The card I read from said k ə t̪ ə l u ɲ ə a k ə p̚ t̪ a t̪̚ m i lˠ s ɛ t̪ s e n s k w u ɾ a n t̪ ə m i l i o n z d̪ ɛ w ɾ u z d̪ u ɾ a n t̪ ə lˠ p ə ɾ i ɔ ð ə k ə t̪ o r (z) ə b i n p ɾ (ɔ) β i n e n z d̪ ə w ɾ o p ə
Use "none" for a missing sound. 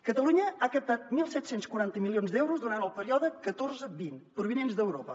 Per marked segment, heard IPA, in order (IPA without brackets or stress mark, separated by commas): z, u